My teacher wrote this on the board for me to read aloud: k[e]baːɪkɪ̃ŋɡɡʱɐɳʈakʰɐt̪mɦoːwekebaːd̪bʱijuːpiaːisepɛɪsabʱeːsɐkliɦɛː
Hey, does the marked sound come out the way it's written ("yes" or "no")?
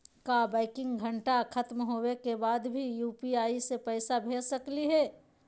no